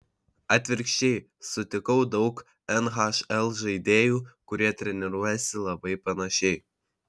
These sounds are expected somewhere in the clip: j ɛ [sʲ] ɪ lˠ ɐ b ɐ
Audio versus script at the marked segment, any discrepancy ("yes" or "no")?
no